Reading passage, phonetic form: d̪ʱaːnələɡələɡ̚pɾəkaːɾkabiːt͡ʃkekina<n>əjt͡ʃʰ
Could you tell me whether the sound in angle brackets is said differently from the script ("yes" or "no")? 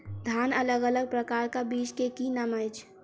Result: yes